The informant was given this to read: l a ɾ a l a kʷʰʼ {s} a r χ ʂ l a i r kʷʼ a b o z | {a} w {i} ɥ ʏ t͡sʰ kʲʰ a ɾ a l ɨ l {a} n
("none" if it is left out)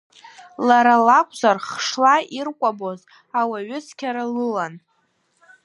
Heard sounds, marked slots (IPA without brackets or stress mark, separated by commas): z, a, a, a